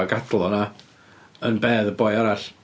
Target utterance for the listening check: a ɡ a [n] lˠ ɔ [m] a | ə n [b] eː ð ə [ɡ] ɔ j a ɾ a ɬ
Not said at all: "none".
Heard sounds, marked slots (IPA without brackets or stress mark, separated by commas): d, n, b, b